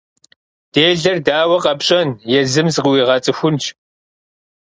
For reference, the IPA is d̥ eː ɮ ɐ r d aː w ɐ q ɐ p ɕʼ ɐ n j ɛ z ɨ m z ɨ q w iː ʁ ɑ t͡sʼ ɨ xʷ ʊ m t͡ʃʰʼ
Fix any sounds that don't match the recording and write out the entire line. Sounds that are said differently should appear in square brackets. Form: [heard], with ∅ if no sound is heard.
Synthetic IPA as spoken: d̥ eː ɮ ɐ r d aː w ɐ q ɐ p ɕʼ ɐ n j ɛ z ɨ m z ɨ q w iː ʁ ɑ t͡sʼ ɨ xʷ ʊ [n] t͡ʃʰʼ